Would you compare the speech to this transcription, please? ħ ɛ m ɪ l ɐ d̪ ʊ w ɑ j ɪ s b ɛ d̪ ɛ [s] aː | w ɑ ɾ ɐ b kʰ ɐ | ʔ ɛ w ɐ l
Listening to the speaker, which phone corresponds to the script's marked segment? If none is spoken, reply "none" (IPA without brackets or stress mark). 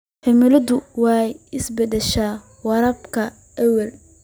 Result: ʃ